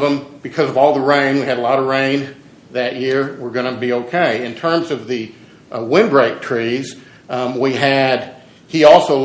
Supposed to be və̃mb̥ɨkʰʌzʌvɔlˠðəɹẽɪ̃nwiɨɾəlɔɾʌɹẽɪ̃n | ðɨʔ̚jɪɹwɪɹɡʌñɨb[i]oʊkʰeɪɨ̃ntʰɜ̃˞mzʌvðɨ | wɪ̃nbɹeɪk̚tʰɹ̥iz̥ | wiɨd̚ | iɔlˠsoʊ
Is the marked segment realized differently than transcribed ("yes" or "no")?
no